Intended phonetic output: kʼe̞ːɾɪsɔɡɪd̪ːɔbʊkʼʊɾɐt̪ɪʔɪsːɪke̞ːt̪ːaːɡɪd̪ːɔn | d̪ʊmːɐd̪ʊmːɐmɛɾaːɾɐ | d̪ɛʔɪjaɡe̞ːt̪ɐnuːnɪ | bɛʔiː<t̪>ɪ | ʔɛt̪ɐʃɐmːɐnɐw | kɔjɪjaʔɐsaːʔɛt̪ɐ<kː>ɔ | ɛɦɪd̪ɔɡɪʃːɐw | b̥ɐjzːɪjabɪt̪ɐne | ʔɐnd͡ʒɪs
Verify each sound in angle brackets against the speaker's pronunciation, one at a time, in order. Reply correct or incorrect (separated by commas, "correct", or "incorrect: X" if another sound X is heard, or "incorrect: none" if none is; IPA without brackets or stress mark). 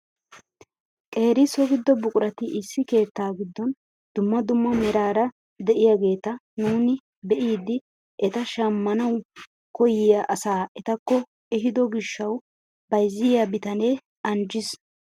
incorrect: d̪, correct